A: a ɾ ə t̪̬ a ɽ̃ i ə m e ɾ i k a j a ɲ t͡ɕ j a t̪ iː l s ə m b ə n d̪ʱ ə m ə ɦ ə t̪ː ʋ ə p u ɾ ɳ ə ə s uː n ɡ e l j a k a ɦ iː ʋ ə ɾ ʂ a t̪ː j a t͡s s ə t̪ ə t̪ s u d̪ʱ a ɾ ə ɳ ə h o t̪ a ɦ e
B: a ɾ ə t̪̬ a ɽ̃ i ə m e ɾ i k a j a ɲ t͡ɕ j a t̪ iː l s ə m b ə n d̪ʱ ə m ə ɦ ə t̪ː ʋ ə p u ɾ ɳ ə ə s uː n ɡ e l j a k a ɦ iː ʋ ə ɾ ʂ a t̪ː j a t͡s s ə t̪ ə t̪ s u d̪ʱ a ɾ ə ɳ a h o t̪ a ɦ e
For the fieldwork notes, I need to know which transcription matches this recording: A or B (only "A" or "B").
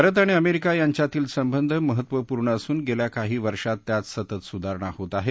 B